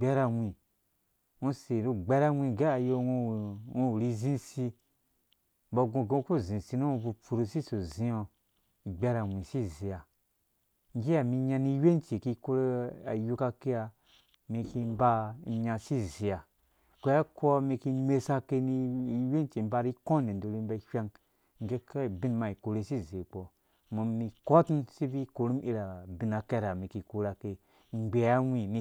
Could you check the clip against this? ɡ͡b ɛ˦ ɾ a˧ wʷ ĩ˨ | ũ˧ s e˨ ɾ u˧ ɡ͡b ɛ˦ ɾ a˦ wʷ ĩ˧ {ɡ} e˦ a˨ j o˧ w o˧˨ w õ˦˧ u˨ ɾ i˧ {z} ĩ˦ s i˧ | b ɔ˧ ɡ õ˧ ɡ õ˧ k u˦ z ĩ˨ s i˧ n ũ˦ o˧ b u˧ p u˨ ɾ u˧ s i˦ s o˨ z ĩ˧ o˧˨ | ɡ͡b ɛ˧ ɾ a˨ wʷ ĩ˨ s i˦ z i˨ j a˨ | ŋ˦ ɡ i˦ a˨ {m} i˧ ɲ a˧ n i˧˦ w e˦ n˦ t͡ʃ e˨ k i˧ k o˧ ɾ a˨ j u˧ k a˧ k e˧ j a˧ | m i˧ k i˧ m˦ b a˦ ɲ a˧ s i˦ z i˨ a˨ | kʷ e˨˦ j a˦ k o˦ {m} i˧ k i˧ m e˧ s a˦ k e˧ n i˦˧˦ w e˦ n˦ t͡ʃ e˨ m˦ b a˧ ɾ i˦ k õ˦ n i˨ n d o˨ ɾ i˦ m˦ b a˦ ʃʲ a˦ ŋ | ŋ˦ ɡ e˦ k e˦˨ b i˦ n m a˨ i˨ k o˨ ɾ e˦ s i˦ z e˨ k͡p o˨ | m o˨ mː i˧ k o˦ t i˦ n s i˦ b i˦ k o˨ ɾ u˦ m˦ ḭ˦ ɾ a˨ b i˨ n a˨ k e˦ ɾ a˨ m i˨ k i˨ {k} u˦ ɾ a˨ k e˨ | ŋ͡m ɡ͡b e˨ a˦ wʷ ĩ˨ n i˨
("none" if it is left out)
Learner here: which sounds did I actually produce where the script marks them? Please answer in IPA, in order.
ɡ, z, m, m, k

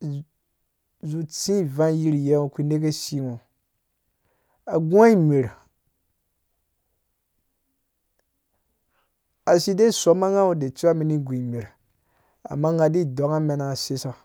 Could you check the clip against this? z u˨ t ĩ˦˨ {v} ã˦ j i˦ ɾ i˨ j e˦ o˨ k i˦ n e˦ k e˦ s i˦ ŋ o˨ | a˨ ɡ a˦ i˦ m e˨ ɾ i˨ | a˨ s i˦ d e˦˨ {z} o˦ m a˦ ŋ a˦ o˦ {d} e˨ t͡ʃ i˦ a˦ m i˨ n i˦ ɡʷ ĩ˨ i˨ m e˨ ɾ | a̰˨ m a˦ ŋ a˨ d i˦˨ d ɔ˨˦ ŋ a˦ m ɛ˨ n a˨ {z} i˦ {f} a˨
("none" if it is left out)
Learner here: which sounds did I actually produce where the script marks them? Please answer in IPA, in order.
v, s, d, s, s

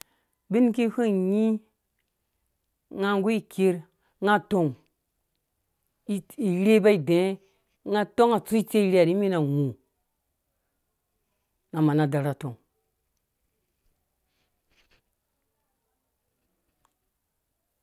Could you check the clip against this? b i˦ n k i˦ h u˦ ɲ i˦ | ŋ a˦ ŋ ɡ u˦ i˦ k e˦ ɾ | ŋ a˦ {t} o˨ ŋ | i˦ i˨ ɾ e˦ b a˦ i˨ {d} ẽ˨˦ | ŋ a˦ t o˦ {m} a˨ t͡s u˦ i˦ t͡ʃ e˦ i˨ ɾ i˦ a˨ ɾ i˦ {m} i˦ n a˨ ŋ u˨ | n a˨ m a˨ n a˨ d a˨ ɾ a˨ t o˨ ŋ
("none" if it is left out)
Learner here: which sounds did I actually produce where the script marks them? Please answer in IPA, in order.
t, d, ŋ, m

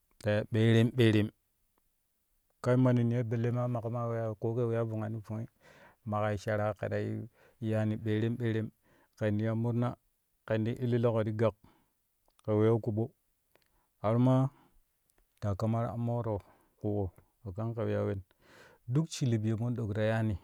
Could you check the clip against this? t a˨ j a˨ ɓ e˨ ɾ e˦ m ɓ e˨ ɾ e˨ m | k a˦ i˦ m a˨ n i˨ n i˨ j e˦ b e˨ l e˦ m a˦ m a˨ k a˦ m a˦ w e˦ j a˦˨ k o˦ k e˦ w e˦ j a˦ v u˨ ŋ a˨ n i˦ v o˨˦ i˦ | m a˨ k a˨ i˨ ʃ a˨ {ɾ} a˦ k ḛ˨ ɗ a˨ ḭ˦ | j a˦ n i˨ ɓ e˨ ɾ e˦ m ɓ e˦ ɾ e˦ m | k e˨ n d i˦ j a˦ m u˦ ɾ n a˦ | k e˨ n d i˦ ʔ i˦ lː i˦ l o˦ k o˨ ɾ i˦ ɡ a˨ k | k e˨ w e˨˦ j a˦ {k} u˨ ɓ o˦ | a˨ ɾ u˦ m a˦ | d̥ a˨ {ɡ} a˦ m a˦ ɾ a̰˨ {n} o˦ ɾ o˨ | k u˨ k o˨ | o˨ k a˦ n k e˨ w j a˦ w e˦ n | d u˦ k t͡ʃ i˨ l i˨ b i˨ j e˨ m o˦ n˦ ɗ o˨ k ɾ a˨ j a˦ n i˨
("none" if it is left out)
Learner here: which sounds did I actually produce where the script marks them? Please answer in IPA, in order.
ɾ, k, k, m

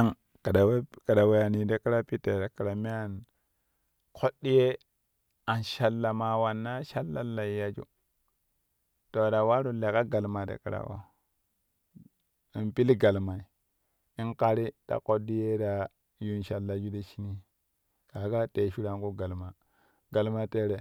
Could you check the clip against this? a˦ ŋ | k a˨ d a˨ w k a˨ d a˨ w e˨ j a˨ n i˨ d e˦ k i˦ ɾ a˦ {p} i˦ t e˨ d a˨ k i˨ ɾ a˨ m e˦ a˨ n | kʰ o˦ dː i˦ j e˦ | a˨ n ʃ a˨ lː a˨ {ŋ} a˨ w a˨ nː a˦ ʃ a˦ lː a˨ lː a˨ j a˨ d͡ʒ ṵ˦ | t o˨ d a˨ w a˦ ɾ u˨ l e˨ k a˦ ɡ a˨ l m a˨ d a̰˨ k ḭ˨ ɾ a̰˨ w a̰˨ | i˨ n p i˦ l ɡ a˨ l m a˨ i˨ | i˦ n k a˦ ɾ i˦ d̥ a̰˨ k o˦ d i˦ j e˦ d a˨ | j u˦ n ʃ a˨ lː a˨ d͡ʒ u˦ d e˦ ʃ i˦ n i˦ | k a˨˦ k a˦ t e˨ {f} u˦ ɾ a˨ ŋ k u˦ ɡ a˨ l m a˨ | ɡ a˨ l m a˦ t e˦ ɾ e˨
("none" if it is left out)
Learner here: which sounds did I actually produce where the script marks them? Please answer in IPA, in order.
p, m, ʃ

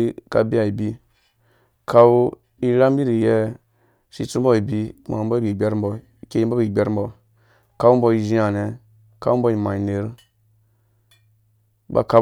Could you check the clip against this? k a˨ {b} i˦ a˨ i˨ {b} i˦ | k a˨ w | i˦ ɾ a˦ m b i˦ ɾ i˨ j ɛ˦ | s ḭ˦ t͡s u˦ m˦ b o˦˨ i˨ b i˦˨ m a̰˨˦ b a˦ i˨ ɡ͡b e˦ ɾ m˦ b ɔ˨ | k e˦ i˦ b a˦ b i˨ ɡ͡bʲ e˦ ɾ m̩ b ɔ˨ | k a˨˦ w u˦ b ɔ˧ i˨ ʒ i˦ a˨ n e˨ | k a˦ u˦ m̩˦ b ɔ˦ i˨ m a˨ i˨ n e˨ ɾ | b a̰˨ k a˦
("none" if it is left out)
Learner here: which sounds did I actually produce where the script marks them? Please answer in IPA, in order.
b, b

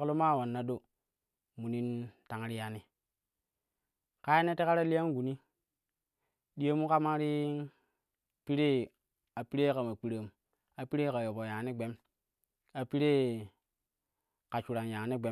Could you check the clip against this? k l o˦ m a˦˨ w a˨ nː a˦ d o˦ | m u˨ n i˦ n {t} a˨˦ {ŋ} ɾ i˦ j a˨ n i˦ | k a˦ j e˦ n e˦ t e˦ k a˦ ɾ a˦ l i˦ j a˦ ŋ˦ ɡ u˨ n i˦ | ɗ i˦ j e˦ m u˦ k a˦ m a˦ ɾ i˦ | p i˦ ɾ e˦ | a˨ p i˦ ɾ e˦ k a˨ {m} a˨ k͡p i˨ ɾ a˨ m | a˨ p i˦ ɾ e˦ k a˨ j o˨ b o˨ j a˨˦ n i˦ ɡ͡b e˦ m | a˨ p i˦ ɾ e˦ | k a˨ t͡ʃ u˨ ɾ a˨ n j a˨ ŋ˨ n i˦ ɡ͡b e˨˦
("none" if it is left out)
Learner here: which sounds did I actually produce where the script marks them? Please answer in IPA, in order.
t, ŋ, m

